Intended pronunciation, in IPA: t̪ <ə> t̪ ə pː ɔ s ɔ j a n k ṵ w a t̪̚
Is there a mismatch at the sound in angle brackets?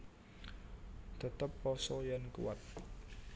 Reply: no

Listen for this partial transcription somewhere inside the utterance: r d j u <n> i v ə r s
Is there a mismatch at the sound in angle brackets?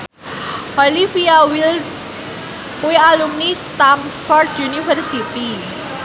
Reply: no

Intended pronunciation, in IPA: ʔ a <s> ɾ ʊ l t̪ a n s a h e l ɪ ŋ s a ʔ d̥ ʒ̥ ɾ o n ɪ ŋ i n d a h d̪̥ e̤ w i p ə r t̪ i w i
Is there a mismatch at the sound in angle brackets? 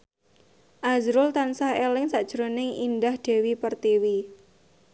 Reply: yes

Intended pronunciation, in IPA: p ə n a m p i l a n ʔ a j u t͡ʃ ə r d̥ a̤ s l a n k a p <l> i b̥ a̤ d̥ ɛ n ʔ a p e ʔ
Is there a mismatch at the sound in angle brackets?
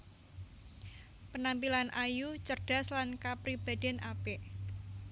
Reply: yes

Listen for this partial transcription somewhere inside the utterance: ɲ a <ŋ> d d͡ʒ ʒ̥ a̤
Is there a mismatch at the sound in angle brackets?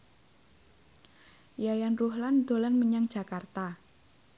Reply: no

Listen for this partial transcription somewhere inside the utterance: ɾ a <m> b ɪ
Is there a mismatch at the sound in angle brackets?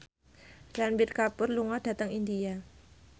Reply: yes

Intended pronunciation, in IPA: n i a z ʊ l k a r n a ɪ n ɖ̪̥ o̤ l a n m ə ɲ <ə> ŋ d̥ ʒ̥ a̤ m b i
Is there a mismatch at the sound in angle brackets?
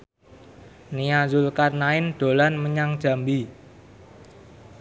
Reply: yes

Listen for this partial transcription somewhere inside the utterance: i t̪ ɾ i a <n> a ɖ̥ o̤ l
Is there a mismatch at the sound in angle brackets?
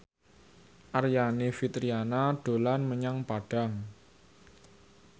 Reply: no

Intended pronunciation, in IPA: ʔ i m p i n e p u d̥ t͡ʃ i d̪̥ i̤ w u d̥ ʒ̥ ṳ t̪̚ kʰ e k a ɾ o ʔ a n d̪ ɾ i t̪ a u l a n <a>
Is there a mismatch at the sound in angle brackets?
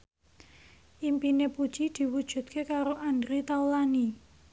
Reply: yes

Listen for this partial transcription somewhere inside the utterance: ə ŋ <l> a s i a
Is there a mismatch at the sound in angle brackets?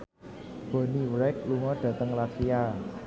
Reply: no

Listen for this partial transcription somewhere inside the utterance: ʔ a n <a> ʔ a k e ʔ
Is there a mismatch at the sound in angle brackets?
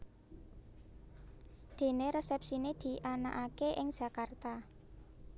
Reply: no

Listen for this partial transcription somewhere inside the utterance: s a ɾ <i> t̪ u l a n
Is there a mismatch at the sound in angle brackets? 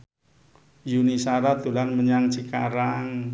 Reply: yes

